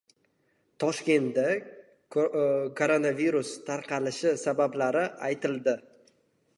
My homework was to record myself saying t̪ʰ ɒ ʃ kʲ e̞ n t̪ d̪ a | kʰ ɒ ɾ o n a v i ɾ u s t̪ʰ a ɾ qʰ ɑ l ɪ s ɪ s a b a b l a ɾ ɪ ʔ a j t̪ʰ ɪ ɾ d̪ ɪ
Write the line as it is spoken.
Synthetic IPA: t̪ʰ ɒ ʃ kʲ e̞ n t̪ d̪ a | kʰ o ɾ o n a v i ɾ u s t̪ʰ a ɾ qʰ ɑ l ɪ ʃ ɪ s a b a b l a ɾ ɪ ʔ a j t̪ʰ ɪ l d̪ ɪ